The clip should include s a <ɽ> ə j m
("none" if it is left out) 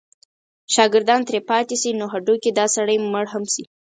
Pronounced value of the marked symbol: ɽ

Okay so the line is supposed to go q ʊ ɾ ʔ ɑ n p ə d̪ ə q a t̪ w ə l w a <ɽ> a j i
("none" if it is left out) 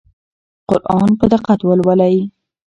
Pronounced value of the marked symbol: l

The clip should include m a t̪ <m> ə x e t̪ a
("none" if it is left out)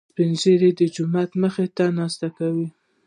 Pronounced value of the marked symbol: m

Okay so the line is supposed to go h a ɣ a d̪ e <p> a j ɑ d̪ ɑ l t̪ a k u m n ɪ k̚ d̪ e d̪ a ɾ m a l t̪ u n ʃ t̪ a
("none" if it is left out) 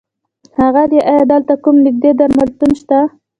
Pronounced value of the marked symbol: ʔ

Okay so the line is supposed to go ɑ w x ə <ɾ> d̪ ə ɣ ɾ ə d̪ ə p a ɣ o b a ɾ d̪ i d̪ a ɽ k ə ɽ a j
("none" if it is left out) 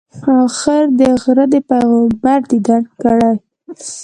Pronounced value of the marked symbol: ɾ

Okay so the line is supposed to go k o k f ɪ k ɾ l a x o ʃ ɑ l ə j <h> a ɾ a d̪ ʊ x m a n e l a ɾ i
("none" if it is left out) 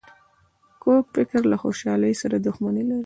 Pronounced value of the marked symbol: s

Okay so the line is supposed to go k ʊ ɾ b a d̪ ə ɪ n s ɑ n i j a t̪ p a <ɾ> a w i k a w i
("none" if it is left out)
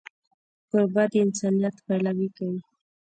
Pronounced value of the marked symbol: l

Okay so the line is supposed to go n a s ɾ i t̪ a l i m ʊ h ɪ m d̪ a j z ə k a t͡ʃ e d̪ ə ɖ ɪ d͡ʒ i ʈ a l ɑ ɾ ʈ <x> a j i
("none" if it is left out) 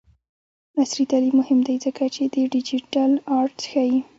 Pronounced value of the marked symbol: x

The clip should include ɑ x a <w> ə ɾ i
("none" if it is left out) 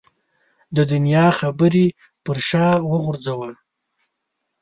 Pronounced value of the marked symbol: b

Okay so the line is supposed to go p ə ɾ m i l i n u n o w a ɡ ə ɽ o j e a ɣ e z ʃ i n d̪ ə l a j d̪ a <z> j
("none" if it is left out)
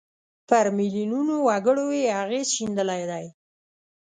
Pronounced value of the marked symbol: none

